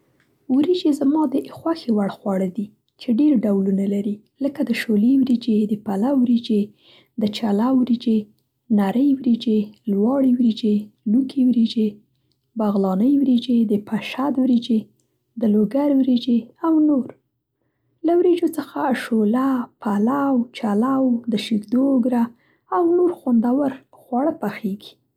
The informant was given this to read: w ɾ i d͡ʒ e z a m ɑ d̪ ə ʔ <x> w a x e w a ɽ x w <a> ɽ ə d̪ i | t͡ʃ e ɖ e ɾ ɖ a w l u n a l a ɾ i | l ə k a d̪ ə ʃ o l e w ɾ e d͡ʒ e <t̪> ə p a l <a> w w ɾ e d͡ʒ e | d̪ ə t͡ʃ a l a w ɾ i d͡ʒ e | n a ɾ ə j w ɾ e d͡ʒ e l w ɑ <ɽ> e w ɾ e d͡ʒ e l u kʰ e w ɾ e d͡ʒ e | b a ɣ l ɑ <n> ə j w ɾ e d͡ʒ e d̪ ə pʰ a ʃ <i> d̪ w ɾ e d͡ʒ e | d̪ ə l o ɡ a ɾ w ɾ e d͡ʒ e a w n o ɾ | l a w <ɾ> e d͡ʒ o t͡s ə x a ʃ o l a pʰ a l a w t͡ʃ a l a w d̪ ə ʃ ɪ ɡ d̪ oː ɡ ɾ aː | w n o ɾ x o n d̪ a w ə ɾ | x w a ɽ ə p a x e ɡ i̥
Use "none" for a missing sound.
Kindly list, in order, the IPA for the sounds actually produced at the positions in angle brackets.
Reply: x, ɑ, d̪, a, ɽ, n, a, ɾ

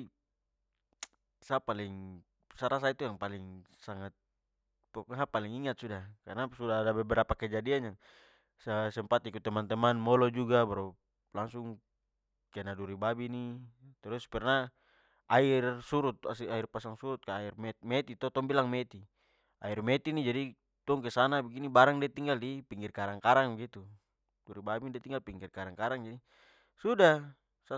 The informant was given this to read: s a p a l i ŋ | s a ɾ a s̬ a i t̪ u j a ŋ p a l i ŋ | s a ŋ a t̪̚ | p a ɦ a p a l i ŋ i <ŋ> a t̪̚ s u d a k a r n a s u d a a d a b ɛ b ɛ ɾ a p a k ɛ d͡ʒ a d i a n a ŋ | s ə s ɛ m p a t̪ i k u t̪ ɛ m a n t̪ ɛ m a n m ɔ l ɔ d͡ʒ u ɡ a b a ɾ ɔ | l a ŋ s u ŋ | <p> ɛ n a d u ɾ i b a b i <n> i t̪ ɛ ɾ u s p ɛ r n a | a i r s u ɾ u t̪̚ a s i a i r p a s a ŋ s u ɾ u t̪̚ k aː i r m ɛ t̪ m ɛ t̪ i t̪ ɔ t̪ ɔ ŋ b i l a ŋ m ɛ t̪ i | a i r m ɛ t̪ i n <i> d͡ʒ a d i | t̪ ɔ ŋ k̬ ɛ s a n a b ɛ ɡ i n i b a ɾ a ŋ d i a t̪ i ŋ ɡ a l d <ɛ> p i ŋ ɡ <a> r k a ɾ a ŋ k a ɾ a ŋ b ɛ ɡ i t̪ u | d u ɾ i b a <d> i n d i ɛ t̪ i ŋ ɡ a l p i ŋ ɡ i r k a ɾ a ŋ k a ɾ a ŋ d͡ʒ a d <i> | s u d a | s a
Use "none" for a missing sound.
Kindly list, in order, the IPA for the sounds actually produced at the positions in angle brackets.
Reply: ŋ, k, n, i, i, i, b, i

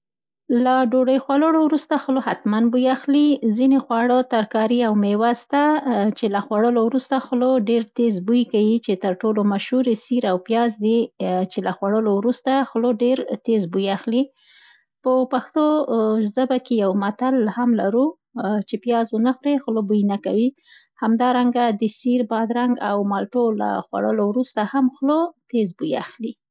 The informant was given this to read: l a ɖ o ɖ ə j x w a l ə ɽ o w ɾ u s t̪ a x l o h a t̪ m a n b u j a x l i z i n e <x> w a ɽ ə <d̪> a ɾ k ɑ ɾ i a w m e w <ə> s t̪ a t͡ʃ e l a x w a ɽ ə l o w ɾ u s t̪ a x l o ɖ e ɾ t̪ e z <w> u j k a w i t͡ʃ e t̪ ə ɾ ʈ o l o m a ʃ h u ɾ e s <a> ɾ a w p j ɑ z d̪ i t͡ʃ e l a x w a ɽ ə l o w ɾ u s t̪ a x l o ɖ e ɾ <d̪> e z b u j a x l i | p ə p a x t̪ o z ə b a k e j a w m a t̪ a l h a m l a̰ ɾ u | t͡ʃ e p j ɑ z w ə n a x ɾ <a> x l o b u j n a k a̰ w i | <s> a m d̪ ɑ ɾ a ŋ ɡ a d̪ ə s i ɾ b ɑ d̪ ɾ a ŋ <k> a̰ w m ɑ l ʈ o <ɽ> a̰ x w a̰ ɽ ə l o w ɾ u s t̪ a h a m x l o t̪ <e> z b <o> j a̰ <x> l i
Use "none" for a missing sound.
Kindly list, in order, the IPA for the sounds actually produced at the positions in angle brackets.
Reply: x, t̪, a, b, i, t̪, e, h, ɡ, l, e, u, x

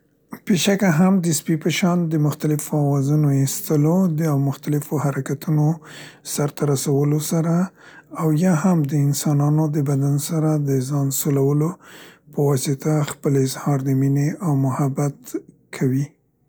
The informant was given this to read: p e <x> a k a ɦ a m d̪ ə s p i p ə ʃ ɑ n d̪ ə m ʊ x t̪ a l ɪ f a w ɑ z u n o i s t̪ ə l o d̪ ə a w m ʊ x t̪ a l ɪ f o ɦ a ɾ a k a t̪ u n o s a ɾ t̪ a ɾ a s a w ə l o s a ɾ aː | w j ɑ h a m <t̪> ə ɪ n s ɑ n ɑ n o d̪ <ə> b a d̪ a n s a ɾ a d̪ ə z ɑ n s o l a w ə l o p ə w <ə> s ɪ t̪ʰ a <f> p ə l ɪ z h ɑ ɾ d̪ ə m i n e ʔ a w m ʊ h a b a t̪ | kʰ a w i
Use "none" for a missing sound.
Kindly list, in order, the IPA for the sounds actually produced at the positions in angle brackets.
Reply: ʃ, d̪, ə, ɑ, x

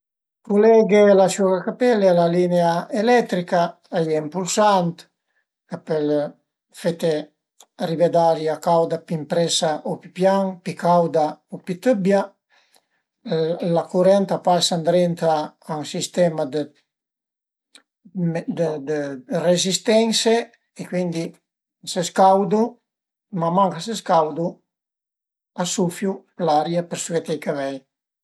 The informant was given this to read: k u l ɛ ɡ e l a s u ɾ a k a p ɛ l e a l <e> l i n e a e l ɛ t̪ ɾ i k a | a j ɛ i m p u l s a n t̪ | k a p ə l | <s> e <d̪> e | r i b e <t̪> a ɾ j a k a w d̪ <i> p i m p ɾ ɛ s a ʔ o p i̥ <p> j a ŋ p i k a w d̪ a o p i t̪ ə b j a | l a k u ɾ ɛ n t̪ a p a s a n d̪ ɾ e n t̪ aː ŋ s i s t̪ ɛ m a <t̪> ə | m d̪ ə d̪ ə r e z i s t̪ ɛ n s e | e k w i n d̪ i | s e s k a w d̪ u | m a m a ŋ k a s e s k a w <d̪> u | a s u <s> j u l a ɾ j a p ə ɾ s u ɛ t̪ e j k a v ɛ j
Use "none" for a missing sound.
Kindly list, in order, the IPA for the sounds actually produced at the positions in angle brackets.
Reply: a, f, t̪, d̪, a, p, d̪, d̪, f

